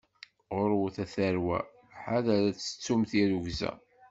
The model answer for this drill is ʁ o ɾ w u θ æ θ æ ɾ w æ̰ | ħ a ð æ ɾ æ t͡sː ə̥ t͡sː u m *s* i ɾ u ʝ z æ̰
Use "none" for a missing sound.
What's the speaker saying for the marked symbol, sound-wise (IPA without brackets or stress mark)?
θ